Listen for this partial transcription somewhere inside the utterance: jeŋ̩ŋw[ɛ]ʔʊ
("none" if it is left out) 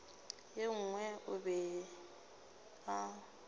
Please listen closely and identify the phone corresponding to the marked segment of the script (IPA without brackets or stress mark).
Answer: ɛ